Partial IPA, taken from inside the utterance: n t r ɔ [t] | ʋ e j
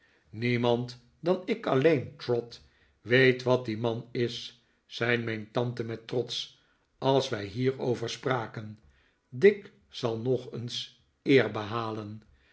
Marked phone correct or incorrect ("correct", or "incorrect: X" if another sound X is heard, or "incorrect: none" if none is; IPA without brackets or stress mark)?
correct